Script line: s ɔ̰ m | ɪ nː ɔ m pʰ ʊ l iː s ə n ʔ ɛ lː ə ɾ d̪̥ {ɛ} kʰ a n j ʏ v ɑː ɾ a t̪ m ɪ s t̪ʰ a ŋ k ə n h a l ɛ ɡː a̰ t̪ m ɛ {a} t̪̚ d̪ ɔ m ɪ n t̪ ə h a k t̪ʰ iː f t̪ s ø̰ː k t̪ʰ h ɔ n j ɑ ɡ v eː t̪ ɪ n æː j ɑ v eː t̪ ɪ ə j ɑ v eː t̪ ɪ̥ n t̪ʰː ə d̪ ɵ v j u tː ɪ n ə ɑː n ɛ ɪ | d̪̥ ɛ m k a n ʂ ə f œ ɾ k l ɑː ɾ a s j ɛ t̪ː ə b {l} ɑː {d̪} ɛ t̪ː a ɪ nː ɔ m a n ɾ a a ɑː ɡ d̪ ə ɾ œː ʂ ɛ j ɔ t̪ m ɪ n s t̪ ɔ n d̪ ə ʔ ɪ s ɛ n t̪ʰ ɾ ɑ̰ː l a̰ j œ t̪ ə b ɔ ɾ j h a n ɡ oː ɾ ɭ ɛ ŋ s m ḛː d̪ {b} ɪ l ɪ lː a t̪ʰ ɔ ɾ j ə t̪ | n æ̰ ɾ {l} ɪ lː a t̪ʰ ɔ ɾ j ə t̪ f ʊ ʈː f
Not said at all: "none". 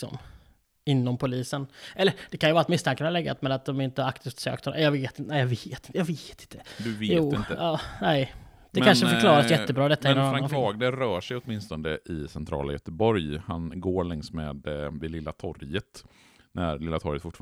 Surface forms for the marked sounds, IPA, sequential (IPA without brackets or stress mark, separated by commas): ɛ, a, ɾ, d̪, v, l